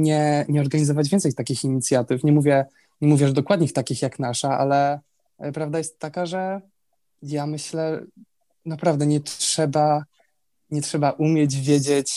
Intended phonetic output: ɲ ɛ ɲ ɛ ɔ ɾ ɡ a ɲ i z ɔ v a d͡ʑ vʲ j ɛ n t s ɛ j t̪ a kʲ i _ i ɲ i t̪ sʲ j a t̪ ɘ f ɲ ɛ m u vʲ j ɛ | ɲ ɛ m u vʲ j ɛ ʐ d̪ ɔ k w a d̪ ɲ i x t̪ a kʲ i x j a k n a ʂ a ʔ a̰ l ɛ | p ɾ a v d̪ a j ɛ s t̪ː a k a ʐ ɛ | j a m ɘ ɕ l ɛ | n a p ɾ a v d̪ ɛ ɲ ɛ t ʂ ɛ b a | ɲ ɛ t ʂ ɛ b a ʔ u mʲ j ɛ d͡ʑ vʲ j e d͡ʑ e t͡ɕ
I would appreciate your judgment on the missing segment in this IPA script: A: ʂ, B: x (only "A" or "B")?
B